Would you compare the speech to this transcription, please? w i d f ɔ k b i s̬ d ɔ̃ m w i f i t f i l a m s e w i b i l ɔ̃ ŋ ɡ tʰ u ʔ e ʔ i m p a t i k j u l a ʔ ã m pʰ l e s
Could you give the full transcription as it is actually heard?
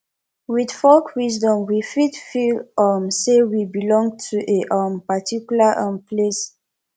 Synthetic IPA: w i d f ɔ k w i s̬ d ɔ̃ m w i f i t f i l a m s e w i b i l ɔ̃ ŋ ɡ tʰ u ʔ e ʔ a m p a t i k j u l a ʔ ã m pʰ l e s